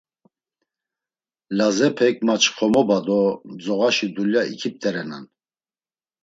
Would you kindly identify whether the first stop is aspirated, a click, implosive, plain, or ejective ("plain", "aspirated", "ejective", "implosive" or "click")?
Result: aspirated